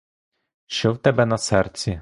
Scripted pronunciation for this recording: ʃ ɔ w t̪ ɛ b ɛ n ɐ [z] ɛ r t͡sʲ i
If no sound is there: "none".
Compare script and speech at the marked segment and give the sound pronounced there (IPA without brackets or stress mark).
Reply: s